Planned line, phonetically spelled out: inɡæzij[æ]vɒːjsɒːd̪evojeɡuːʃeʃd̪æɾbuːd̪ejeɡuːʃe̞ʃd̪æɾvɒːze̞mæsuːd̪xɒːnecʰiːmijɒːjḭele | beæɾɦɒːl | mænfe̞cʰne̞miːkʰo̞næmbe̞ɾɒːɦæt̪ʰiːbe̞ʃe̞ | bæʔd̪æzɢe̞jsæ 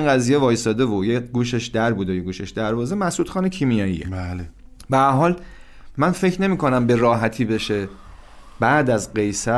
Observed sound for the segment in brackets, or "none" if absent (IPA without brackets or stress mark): e